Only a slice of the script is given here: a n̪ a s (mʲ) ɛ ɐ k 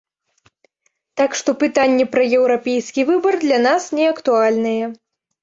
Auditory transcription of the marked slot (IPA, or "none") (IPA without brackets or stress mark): nʲ